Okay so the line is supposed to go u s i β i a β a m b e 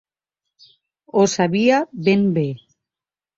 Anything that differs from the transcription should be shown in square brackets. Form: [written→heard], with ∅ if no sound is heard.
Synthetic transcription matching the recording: [u→o] s [i→a] β i a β [a→e] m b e